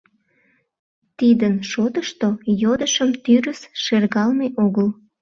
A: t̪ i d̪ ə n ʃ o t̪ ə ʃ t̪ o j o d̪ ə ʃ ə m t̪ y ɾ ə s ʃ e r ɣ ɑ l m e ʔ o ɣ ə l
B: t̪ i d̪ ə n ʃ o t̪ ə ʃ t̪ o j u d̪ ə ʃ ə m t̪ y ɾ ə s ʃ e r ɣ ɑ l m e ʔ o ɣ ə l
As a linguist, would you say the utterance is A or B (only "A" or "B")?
A